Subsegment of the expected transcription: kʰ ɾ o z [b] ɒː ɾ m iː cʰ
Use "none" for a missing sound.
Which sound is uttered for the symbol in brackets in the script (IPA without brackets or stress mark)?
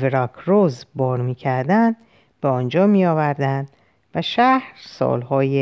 b